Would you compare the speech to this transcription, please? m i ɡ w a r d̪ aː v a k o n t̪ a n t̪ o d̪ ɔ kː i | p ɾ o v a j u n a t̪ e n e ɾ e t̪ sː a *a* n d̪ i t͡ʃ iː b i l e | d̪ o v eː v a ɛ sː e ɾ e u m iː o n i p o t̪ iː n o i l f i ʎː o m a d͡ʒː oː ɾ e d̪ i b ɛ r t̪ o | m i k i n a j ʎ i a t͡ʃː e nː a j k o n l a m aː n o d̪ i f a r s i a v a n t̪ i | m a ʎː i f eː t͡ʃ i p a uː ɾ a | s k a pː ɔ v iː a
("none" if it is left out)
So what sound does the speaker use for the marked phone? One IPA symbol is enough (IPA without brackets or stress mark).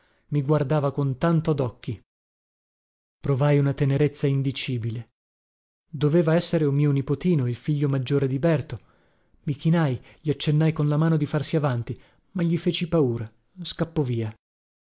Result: i